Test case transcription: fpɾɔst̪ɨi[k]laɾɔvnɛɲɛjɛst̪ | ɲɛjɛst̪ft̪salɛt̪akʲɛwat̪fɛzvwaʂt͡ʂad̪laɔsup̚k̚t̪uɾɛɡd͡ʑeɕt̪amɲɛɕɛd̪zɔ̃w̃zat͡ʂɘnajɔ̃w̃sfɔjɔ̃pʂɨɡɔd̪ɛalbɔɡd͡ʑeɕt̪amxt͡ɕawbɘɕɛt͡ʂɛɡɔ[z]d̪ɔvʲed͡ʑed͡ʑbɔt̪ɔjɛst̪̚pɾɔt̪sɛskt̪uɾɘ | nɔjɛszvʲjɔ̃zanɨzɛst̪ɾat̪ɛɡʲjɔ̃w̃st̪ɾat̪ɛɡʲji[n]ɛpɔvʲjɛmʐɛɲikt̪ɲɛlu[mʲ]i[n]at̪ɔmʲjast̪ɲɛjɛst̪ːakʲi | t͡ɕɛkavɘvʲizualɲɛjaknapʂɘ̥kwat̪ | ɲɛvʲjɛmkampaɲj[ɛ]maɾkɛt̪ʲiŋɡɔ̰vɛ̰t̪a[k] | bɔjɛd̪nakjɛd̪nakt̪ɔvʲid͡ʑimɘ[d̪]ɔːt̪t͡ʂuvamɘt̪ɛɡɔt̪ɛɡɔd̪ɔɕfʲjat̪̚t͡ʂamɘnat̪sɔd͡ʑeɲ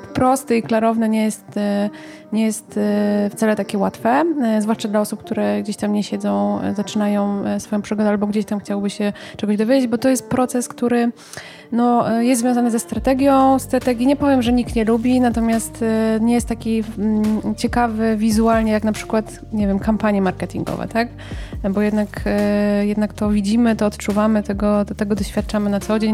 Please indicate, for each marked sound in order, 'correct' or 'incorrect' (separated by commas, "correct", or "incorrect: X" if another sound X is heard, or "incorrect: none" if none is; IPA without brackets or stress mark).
correct, incorrect: ʑ, incorrect: ɲ, incorrect: bʲ, correct, correct, correct, incorrect: t̪